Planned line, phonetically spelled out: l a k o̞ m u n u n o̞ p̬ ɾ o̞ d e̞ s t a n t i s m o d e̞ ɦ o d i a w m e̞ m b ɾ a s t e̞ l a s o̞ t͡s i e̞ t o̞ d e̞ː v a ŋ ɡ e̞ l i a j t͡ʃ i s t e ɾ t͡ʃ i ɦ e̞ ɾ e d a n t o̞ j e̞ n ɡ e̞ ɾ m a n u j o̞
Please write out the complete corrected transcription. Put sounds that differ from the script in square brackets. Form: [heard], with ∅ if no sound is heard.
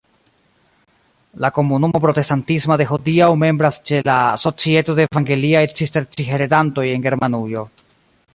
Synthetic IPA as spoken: l a k o̞ m u n u [m] o̞ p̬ ɾ o̞ [t] e̞ s t a n t i s m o d e̞ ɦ o d i a w m e̞ m b ɾ a s [t͡ʃ] e̞ l a s o̞ t͡s i e̞ t o̞ d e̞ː v a ŋ ɡ e̞ l i a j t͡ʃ i s t e ɾ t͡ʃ i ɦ e̞ ɾ e d a n t o̞ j e̞ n ɡ e̞ ɾ m a n u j o̞